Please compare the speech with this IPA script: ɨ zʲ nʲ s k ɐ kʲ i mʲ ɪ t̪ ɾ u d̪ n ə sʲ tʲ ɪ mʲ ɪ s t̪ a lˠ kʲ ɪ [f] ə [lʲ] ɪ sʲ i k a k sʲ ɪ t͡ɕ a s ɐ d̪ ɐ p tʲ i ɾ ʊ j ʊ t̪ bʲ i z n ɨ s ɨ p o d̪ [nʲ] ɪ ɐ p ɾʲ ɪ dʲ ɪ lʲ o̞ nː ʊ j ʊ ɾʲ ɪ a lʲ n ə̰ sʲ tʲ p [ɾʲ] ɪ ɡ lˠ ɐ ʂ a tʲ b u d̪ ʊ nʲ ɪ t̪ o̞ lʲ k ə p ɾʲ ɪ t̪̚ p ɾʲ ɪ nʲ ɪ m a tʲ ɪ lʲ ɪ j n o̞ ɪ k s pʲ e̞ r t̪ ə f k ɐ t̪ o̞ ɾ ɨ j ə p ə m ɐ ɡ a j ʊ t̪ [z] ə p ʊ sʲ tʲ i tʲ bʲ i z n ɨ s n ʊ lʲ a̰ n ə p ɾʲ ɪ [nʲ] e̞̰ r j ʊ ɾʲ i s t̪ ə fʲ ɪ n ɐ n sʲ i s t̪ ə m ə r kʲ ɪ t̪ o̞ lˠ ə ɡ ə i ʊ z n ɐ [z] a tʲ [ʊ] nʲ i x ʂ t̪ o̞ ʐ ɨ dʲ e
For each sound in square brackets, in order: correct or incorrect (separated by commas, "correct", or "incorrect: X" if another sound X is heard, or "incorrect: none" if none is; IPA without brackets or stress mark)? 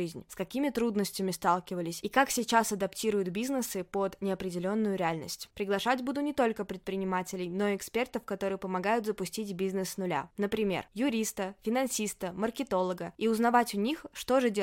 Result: incorrect: v, correct, correct, correct, correct, incorrect: mʲ, incorrect: v, correct